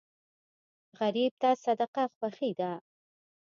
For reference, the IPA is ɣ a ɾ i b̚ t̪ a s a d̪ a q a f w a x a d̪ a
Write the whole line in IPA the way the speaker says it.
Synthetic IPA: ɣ a ɾ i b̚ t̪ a s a d̪ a q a x w a x i d̪ a